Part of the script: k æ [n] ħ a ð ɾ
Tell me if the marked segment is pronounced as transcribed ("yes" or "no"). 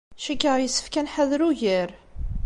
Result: yes